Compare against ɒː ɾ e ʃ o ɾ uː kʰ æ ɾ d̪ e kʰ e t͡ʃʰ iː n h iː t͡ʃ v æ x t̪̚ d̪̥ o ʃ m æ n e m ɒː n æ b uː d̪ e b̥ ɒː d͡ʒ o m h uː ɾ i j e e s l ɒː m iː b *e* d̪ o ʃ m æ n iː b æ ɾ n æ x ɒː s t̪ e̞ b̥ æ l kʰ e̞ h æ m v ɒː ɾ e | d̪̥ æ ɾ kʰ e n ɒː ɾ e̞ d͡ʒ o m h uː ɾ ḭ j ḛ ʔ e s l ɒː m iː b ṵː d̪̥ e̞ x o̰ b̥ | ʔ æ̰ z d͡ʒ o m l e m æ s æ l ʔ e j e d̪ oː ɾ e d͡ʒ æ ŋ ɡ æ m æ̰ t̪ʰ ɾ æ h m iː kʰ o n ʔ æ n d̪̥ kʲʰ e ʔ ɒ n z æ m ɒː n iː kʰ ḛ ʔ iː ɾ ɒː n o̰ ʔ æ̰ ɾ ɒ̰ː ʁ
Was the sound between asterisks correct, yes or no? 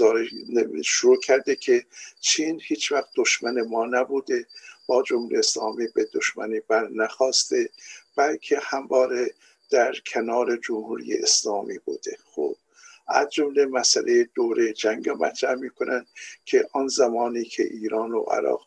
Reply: yes